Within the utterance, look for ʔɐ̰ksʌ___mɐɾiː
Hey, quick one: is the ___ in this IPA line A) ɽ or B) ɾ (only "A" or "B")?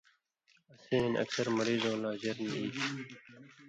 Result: B